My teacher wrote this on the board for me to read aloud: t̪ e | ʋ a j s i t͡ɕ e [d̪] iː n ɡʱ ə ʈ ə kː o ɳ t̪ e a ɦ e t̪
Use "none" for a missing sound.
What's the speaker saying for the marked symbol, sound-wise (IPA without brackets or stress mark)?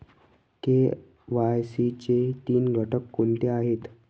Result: t̪